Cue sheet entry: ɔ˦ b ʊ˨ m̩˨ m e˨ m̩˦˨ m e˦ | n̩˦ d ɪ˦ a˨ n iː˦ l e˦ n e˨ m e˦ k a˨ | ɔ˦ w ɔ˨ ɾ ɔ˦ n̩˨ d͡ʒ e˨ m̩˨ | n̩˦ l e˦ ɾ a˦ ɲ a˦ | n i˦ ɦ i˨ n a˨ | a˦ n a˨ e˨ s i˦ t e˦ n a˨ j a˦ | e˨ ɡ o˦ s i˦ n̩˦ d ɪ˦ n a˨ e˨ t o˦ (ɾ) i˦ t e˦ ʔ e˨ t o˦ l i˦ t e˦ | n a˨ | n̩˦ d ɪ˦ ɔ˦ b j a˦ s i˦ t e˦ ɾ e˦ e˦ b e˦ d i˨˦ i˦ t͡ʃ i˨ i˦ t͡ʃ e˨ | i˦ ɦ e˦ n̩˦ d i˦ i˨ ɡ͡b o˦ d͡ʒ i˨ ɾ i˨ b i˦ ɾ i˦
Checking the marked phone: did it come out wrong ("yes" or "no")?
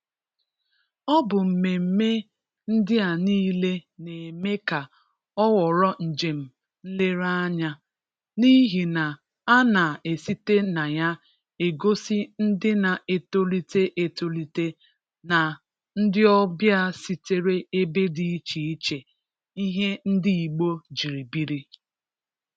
yes